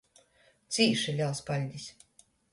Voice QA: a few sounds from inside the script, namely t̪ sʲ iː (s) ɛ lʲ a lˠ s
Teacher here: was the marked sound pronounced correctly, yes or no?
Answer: no